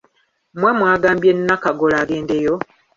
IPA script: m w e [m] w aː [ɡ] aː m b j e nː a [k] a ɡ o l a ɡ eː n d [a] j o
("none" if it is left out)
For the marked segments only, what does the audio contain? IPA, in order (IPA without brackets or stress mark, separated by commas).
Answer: m, ɡ, k, e